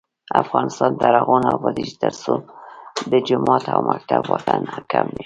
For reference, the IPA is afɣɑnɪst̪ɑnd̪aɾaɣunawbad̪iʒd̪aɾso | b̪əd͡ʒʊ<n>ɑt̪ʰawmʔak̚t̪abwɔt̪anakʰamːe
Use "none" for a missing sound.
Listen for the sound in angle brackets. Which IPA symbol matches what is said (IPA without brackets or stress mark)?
m